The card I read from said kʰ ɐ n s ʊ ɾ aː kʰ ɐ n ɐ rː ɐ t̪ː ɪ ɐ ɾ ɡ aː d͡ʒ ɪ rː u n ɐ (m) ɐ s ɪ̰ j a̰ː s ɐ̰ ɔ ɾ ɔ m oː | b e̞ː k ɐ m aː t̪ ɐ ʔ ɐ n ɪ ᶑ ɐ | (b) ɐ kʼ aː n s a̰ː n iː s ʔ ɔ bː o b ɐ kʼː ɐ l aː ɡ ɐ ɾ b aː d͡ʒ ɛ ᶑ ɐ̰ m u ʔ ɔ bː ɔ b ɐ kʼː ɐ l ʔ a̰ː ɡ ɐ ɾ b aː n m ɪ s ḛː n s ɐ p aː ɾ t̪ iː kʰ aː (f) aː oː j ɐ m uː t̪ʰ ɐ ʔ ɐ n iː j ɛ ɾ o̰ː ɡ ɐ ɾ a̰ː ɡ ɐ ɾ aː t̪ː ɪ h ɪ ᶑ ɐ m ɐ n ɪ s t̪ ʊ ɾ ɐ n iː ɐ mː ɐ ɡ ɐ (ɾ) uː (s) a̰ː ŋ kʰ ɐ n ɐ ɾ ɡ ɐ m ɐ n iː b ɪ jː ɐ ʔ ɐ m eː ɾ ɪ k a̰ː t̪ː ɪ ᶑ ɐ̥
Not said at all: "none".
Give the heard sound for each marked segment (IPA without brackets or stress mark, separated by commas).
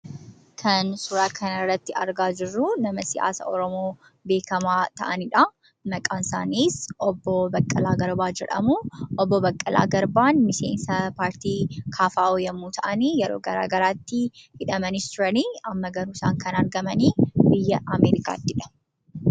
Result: m, m, f, ɾ, s